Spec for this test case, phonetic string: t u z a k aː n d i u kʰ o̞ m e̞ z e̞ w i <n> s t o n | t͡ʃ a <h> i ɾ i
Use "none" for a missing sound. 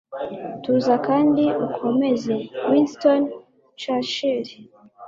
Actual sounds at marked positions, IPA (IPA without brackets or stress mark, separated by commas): n, ʃ